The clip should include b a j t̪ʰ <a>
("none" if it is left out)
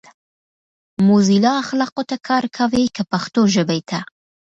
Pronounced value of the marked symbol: a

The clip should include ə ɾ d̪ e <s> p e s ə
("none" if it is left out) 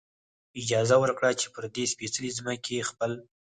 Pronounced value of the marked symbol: s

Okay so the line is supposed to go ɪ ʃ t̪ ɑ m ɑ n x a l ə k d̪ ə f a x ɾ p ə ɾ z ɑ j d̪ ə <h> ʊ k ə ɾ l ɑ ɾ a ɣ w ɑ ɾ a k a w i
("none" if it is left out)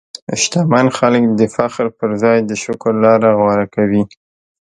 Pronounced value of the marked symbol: ʃ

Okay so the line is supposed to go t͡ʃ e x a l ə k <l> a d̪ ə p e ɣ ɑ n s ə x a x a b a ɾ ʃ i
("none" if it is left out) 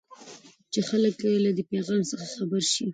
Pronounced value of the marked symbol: l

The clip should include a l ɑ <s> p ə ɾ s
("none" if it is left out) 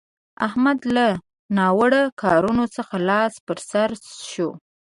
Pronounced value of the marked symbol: s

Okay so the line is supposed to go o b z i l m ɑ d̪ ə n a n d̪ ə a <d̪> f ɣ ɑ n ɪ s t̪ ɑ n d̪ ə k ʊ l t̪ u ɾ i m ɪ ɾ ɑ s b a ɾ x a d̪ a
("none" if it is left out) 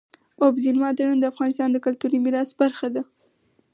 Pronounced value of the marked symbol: none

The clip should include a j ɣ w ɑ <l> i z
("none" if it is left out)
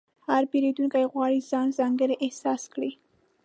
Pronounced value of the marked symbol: ɽ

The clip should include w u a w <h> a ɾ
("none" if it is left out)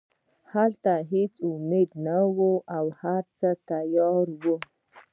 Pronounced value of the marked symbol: h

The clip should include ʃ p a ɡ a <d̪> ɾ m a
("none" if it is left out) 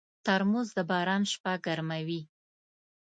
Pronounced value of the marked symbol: none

